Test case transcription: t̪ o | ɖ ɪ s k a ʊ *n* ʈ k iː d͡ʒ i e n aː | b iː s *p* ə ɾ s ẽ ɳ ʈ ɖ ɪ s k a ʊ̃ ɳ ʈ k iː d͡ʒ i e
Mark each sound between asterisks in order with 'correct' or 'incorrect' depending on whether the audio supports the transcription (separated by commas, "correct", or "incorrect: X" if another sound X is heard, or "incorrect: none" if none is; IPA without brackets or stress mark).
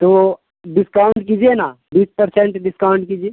incorrect: ɳ, correct